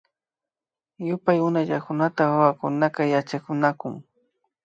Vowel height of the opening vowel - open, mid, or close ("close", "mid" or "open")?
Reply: close